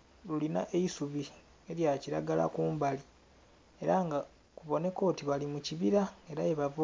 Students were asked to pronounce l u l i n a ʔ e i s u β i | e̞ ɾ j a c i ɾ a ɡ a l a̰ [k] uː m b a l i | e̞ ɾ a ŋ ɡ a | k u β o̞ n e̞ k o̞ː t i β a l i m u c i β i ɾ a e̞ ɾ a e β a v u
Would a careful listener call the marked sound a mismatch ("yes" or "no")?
no